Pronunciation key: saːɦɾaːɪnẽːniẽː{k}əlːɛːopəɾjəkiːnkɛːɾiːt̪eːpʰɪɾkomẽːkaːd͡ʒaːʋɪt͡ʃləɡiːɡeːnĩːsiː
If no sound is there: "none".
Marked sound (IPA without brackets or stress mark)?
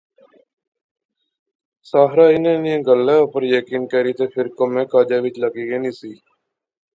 ɡ